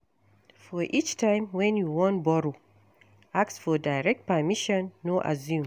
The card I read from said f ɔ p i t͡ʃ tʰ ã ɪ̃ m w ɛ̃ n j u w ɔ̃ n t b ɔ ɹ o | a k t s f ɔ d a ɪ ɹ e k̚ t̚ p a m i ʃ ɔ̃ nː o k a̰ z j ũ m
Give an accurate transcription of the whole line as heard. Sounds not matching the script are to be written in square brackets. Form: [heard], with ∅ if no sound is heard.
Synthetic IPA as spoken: f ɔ [ʔ] i t͡ʃ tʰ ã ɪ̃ m w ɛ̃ n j u w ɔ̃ n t b ɔ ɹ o | a k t s f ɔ d a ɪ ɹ [ɛ] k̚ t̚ p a m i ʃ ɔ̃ nː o [ʔ] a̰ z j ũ m